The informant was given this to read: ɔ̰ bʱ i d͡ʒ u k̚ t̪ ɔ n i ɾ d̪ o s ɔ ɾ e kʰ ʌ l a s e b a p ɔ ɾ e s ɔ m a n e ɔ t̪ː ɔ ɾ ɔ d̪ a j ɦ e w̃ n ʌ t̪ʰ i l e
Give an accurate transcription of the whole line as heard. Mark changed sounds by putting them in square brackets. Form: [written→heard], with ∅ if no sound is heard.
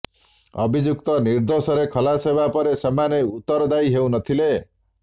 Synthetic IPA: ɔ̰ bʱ i d͡ʒ u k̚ t̪ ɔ n i ɾ d̪ o s ɔ ɾ e kʰ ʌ l a s e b a p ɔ ɾ e s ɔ m a n e [ɔ→u] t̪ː ɔ ɾ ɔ d̪ a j ɦ e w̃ n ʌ t̪ʰ i l e